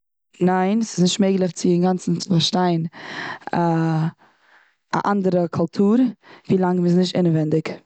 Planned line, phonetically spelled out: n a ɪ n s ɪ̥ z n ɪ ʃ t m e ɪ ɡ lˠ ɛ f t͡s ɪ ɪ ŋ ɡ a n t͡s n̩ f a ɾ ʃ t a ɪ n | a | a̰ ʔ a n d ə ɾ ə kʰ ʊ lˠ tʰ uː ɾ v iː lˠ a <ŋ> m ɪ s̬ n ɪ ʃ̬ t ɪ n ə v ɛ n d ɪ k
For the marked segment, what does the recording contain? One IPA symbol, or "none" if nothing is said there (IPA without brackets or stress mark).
ŋ